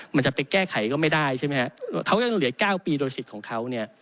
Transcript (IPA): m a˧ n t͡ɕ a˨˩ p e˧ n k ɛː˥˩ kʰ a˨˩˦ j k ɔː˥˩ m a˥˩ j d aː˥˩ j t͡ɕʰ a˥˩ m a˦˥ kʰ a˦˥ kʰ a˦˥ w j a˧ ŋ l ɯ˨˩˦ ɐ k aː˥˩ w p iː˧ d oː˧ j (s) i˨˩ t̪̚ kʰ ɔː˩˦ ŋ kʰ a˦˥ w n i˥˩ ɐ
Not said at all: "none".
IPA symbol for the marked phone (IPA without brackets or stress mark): s